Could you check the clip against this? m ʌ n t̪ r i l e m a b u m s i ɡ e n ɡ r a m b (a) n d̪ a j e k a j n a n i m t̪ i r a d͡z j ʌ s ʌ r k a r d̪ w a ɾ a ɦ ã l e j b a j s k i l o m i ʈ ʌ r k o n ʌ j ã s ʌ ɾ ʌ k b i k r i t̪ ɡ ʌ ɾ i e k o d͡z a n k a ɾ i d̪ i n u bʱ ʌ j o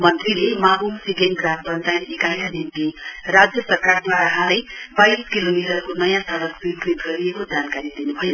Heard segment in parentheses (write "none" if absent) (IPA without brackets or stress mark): ʌ